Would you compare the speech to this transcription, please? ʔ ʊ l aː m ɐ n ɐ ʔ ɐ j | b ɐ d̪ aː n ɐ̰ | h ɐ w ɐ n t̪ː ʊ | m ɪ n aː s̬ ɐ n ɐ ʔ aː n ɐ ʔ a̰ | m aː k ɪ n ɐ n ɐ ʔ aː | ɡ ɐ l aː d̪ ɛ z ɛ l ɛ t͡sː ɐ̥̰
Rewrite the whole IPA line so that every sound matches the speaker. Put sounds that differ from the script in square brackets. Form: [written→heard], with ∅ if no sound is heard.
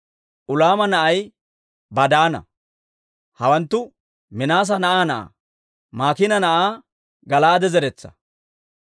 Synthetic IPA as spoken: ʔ ʊ l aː m ɐ n ɐ ʔ ɐ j | b ɐ d̪ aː n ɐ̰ | h ɐ w ɐ n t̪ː ʊ | m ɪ n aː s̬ ɐ n ɐ ʔ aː n ɐ ʔ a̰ | m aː k ɪ n ɐ n ɐ ʔ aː | ɡ ɐ l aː d̪ ɛ z ɛ [l→ɾ] ɛ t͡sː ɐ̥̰